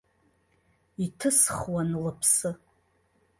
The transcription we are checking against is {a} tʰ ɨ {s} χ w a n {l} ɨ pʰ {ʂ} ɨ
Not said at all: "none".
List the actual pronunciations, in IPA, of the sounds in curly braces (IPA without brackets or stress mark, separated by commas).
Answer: i, s, l, s